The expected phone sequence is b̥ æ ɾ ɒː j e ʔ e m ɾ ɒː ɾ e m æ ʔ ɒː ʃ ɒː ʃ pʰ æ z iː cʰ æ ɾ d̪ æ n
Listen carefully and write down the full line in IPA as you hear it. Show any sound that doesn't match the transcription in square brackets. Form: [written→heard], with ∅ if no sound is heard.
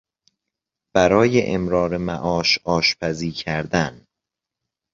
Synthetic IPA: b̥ æ ɾ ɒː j e ʔ e m ɾ ɒː ɾ e m æ ʔ ɒː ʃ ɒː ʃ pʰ æ z iː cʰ æ ɾ d̪ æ n